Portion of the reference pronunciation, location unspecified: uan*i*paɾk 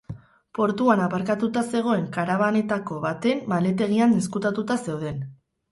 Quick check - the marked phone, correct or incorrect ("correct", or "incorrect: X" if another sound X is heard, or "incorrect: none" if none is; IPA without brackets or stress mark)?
incorrect: a